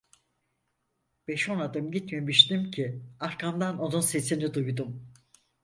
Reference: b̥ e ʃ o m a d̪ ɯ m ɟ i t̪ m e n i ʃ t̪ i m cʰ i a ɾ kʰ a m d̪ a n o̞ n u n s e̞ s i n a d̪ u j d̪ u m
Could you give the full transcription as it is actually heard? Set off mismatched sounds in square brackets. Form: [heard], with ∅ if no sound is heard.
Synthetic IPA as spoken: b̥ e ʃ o [n] a d̪ ɯ m ɟ i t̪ m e [m] i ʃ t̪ i m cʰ i a ɾ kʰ a m d̪ a n o̞ n u n s e̞ s i n [i] d̪ u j d̪ u m

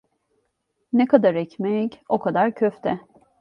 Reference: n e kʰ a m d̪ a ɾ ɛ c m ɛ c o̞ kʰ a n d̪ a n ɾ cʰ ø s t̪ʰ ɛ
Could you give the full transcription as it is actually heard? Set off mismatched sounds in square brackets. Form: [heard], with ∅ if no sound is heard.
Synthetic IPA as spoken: n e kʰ a [∅] d̪ a ɾ ɛ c m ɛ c o̞ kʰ a [∅] d̪ a [∅] ɾ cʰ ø [f] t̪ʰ ɛ

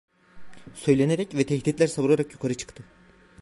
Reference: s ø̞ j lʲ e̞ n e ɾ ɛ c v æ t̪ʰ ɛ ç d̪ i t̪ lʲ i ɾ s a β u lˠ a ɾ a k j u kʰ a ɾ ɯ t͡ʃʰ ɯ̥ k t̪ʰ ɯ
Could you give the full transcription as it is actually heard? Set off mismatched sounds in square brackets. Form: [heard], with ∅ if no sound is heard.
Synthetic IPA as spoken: s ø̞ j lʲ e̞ n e ɾ ɛ c v [ɛ] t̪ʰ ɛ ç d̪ i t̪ lʲ [æ] ɾ s a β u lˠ a ɾ a k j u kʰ a ɾ ɯ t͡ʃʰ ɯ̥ k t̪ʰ ɯ

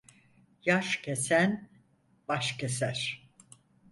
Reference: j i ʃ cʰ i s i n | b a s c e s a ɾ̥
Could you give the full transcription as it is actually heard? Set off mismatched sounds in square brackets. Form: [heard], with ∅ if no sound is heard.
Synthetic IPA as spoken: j [a] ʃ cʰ [e] s [æ] n | b a [ʃ] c e s [æ] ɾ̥

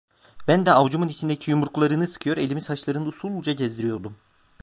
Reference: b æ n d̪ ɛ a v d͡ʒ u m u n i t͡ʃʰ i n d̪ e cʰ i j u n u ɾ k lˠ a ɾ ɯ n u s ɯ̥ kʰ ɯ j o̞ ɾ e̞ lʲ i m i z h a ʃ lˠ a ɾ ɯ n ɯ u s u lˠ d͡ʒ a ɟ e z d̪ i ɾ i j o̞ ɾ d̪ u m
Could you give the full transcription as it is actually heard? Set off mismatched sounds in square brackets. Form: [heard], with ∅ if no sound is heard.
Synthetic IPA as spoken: b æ n d̪ ɛ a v d͡ʒ u m u n i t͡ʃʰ i n d̪ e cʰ i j u [m] u ɾ k lˠ a ɾ ɯ n [ɯ] s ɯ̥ kʰ ɯ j o̞ ɾ e̞ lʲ i m i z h a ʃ lˠ a ɾ ɯ n ɯ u s u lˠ d͡ʒ a ɟ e z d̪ i ɾ i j o̞ ɾ d̪ u m

